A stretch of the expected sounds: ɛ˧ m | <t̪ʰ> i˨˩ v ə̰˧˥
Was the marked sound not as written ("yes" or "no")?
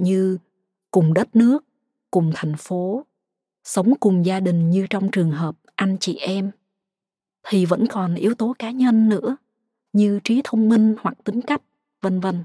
no